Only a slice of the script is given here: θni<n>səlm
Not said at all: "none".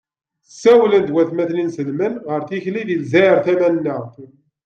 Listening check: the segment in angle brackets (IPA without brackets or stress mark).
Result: n